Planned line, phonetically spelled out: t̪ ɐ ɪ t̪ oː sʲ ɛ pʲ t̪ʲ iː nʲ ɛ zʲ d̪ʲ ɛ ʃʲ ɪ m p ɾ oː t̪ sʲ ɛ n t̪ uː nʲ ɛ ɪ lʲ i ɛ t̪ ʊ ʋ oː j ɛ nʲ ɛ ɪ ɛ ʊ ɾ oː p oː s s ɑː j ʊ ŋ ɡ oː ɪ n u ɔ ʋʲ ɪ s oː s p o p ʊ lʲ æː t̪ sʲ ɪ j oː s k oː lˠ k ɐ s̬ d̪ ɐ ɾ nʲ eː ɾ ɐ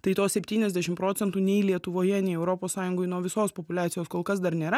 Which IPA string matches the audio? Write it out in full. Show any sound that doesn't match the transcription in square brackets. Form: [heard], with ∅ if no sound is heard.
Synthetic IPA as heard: t̪ ɐ ɪ t̪ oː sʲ ɛ pʲ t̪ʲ iː nʲ ɛ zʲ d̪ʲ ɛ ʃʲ ɪ m p ɾ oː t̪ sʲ ɛ n t̪ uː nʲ ɛ ɪ lʲ i ɛ t̪ ʊ ʋ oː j ɛ nʲ ɛ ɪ ɛ ʊ ɾ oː p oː s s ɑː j ʊ ŋ ɡ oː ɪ n u ɔ ʋʲ ɪ s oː s p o p ʊ lʲ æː t̪ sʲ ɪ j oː s k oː lˠ k ɐ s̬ d̪ ɐ ɾ nʲ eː ɾ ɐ